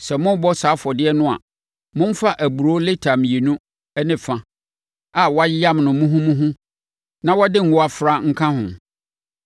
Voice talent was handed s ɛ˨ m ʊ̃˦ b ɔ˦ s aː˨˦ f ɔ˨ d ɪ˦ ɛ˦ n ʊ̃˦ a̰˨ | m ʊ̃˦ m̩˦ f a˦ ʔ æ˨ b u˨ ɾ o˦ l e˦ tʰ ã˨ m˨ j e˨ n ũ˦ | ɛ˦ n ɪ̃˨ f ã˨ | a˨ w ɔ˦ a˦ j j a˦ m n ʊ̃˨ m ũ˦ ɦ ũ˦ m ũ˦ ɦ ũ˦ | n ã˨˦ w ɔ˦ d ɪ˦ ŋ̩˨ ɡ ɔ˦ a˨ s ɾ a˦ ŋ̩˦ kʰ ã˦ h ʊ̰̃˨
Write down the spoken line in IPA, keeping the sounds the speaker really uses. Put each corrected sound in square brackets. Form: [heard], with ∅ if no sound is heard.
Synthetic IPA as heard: s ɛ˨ m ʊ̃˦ b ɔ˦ s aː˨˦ f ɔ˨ d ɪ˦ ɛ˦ n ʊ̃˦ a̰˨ | m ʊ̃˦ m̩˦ f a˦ ʔ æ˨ b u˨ ɾ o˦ l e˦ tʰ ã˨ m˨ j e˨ n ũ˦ | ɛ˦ n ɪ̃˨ f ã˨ | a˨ w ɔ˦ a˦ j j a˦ m n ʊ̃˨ m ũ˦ ɦ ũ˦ m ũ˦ ɦ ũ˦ | n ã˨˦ w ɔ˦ d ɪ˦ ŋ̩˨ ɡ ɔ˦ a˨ [f] ɾ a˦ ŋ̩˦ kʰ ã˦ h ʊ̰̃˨